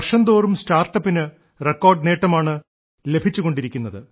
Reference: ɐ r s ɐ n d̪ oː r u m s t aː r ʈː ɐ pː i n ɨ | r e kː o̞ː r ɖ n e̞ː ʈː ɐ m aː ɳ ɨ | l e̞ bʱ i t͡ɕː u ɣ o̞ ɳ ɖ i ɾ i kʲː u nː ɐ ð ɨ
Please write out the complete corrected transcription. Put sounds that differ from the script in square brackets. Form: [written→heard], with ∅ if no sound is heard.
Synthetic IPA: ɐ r [s→ʂ] ɐ n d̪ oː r u m s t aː r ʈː ɐ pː i n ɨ | r e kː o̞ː r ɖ n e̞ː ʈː ɐ m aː ɳ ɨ | l e̞ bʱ i t͡ɕː u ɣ o̞ ɳ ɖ i ɾ i kʲː u nː ɐ ð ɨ